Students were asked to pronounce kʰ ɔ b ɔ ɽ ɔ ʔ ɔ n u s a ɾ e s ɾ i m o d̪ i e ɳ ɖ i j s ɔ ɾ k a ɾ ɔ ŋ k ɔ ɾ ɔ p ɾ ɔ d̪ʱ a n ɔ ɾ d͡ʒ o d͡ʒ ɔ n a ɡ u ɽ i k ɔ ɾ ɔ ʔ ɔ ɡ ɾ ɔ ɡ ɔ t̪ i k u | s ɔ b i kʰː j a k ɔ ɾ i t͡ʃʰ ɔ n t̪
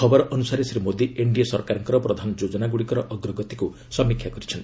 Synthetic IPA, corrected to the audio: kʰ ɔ b ɔ ɾ ɔ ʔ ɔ n u s a ɾ e s ɾ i m o d̪ i e ɳ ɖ i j s ɔ ɾ k a ɾ ɔ ŋ k ɔ ɾ ɔ p ɾ ɔ d̪ʱ a n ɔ d͡ʒ o d͡ʒ ɔ n a ɡ u ɽ i k ɔ ɾ ɔ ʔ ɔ ɡ ɾ ɔ ɡ ɔ t̪ i k u | s ɔ m i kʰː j a k ɔ ɾ i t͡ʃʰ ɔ n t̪